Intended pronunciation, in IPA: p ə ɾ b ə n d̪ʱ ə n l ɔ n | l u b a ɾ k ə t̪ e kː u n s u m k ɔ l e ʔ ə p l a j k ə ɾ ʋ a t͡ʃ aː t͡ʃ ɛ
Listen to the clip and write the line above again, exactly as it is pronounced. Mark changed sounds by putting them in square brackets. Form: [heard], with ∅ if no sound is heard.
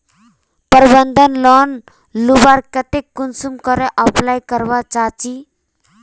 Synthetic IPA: p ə ɾ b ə n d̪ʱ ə n l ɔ n | l u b a ɾ k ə t̪ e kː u n s u m k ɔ [ɾ] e ʔ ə p l a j k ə ɾ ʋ a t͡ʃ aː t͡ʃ [i]